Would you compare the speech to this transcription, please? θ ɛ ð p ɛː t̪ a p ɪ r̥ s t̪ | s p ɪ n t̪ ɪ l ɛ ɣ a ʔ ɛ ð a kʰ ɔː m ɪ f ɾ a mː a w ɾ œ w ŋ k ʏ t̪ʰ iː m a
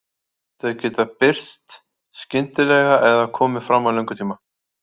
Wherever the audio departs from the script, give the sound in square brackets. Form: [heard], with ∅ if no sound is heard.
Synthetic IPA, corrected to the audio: θ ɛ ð [c] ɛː t̪ a p ɪ r̥ s t̪ | s [c] ɪ n t̪ ɪ l ɛ ɣ a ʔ ɛ ð a kʰ ɔː m ɪ f ɾ a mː a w [l] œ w ŋ k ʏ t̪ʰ iː m a